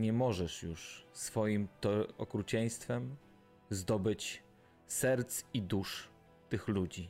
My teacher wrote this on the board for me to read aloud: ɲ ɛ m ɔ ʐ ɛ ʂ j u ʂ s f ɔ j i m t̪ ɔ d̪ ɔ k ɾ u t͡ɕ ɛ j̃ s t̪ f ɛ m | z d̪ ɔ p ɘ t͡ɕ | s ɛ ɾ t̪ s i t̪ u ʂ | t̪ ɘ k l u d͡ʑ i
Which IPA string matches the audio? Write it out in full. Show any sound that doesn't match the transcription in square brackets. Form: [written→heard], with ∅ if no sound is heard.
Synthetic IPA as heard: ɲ ɛ m ɔ ʐ ɛ ʂ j u ʂ s f ɔ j i m t̪ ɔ [d̪→∅] ɔ k ɾ u t͡ɕ ɛ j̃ s t̪ f ɛ m | z d̪ ɔ [p→b] ɘ t͡ɕ | s ɛ ɾ t̪ s i [t̪→d̪] u ʂ | t̪ ɘ [k→x] l u d͡ʑ i